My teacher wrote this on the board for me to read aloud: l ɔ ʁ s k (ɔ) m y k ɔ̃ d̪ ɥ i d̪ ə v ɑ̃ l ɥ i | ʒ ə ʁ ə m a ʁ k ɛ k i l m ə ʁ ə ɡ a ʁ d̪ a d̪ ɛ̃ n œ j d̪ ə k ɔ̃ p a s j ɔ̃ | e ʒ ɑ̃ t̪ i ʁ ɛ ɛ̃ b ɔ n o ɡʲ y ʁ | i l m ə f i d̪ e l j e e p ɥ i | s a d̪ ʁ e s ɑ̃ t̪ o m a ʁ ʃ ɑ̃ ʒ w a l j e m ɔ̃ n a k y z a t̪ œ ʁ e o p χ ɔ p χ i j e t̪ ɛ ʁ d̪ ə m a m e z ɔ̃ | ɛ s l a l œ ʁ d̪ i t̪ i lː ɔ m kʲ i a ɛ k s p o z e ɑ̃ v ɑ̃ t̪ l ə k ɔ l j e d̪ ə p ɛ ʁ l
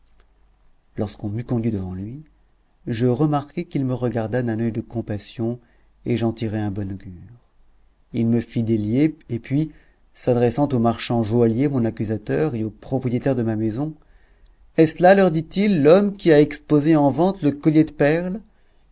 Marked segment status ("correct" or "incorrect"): incorrect